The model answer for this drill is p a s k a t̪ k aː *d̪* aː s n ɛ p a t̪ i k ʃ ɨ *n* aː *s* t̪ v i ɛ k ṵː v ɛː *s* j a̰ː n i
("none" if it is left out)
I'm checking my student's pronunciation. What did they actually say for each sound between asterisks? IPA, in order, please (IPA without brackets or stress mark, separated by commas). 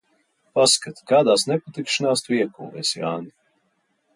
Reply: d̪, n, s, s